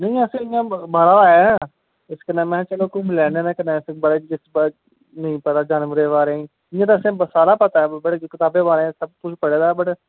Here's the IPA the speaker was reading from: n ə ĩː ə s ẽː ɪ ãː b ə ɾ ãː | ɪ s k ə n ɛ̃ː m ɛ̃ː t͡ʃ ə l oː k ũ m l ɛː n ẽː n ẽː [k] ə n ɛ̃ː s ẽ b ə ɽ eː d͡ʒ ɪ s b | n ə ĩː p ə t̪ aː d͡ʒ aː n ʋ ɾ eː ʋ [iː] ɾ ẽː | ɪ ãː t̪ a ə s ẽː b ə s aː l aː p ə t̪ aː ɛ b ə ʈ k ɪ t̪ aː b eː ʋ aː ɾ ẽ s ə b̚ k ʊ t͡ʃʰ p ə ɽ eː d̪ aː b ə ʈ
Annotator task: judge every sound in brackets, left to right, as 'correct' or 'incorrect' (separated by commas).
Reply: correct, incorrect